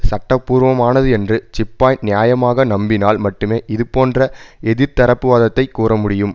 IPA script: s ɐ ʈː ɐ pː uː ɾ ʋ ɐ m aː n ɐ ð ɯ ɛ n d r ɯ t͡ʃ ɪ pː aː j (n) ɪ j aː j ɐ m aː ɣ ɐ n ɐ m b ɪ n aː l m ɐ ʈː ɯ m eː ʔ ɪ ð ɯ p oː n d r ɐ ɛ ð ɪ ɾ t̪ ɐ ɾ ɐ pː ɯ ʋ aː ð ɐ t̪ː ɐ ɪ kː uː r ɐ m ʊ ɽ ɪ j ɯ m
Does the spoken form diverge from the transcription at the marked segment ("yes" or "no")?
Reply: no